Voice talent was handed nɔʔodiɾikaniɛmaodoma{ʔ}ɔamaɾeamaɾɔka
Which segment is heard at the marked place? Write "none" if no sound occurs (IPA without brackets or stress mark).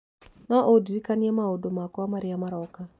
k